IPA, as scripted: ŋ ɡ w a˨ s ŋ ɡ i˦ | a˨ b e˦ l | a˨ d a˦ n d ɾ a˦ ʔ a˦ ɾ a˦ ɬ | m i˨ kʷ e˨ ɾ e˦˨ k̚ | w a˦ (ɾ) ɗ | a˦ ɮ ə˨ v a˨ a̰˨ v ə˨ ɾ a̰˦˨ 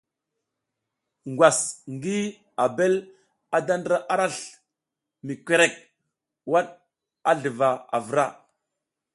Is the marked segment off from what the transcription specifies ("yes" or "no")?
yes